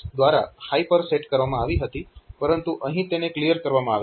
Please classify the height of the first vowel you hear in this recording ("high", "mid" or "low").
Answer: low